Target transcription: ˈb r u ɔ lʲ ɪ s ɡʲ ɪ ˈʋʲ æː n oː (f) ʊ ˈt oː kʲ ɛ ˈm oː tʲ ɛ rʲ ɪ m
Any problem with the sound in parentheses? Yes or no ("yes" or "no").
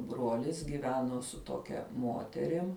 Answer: yes